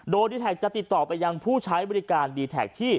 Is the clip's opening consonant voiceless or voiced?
voiced